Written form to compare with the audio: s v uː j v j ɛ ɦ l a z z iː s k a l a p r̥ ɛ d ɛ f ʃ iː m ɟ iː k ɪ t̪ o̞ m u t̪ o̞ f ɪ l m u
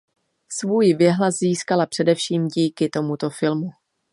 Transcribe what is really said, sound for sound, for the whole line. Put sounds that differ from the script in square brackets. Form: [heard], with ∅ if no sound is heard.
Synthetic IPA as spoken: s v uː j v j ɛ ɦ l a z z iː s k a l a p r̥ ɛ d ɛ f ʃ iː m ɟ iː k ɪ t̪ o̞ m u t̪ o̞ f ɪ l m u